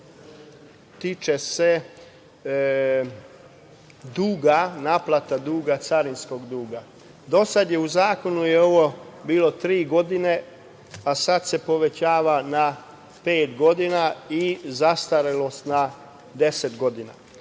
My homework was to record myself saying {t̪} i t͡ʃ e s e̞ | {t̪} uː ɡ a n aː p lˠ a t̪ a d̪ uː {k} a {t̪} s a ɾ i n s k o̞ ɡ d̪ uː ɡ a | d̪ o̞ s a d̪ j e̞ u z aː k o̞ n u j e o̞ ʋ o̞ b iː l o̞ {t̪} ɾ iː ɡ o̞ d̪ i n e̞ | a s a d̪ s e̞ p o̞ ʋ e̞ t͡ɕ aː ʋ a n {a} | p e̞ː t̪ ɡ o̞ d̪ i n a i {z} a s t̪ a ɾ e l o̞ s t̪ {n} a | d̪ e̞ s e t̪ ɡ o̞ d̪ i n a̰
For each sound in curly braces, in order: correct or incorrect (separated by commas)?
correct, incorrect, incorrect, correct, correct, correct, correct, correct